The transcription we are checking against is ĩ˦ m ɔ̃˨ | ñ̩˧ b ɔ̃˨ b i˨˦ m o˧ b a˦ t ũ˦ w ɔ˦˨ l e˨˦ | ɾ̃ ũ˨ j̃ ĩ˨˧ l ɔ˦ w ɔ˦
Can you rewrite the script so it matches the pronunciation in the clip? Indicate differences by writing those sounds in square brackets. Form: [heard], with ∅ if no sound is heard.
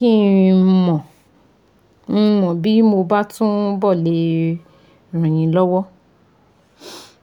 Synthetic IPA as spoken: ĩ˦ m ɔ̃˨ | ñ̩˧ [m] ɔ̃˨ b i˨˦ m o˧ b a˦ t ũ˦ [b] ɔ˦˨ l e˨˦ | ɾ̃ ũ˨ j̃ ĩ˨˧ l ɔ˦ w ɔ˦